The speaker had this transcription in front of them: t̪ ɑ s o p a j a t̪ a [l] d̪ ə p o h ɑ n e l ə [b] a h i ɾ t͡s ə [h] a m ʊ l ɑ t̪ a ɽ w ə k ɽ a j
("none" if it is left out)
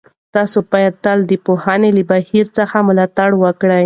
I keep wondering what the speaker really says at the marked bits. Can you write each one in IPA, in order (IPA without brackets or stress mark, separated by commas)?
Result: l, b, x